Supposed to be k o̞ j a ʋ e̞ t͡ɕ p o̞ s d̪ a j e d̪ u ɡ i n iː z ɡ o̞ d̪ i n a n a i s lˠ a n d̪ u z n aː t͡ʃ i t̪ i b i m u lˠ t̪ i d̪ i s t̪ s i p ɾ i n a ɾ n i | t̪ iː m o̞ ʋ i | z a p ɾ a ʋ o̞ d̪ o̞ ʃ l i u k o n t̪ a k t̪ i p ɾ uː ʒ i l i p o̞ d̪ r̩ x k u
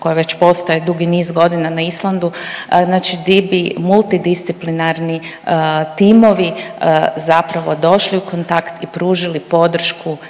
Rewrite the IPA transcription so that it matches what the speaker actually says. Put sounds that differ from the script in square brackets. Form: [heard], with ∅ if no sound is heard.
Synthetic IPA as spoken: k o̞ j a ʋ e̞ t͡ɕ p o̞ s [t̪] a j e d̪ u ɡ i n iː z ɡ o̞ d̪ i n a n a i s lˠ a n d̪ u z n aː t͡ʃ i [d̪] i b i m u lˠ t̪ i d̪ i s t̪ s i p [l] i n a ɾ n i | t̪ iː m o̞ ʋ i | z a p ɾ a ʋ o̞ d̪ o̞ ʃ l i u k o n t̪ a k t̪ i p ɾ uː ʒ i l i p o̞ d̪ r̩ [ʃ] k u